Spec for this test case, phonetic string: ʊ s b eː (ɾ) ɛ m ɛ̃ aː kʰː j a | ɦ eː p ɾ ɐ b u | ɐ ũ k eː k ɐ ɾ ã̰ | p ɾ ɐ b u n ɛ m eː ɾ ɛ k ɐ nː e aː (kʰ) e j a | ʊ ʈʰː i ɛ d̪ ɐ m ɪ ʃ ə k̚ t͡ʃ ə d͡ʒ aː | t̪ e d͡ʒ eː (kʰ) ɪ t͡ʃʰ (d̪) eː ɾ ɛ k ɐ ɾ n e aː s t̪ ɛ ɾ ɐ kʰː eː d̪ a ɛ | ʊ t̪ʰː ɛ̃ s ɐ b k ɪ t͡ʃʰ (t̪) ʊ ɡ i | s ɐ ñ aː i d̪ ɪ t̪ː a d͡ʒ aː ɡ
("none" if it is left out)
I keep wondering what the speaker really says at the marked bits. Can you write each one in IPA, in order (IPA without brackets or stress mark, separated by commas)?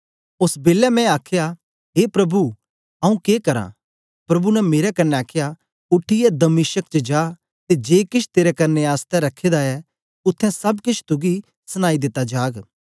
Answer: l, kʰ, k, t̪, t̪